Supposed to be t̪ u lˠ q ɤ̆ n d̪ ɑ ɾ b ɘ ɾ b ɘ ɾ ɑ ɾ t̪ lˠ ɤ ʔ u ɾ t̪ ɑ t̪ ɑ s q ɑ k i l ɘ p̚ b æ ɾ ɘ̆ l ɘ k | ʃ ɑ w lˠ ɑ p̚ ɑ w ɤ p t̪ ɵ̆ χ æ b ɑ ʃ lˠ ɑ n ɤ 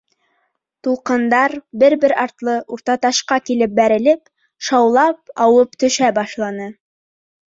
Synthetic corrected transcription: t̪ u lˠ q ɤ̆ n d̪ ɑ ɾ b ɘ ɾ b ɘ ɾ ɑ ɾ t̪ lˠ ɤ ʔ u ɾ t̪ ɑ t̪ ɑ ʃ q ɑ k i l ɘ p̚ b æ ɾ ɘ̆ l ɘ p | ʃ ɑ w lˠ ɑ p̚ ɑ w ɤ p t̪ ɵ̆ ʃ æ b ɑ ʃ lˠ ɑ n ɤ

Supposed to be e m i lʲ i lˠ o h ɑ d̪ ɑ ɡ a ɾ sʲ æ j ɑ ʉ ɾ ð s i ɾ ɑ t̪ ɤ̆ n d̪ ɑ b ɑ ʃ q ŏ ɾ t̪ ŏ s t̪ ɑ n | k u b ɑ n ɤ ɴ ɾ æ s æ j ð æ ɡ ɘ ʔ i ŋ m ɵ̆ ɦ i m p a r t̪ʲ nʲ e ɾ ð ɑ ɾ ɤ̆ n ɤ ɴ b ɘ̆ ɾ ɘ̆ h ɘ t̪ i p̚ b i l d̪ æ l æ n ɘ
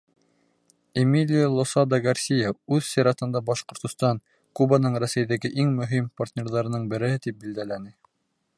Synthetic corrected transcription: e m i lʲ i lˠ o s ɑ d̪ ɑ ɡ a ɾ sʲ i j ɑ ʉ ð s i ɾ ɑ t̪ ɤ̆ n d̪ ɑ b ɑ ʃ q ŏ ɾ t̪ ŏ s t̪ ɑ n | k u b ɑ n ɤ ɴ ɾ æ s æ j ð æ ɡ ɘ ʔ i ŋ m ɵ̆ ɦ i m p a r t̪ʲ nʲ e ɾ ð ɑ ɾ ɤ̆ n ɤ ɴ b ɘ̆ ɾ ɘ̆ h ɘ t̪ i p̚ b i l d̪ æ l æ n ɘ

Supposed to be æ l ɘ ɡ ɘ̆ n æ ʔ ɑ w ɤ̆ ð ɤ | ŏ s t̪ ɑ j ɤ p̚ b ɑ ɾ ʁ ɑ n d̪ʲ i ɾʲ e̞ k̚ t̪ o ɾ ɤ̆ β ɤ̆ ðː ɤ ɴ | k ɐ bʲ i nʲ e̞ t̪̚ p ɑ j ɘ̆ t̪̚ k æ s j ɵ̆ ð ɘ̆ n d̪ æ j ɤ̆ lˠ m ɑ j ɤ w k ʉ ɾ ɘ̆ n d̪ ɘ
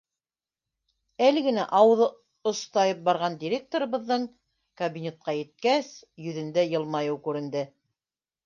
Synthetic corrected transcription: æ l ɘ ɡ ɘ̆ n æ ʔ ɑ w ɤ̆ ð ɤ | ŏ s t̪ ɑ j ɤ p̚ b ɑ ɾ ʁ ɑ n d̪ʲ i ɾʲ e̞ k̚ t̪ o ɾ ɤ̆ β ɤ̆ ðː ɤ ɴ | k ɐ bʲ i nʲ e̞ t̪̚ q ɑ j ɘ̆ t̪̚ k æ s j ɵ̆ ð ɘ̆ n d̪ æ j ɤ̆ lˠ m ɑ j ɤ w k ʉ ɾ ɘ̆ n d̪ ɘ

